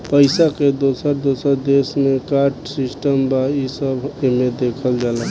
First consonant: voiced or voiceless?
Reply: voiceless